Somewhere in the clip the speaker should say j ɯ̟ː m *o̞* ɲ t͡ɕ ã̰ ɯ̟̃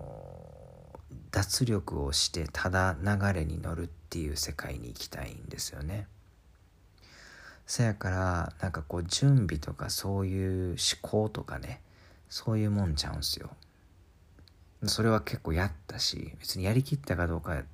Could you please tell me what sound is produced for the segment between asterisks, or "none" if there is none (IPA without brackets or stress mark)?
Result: õ̞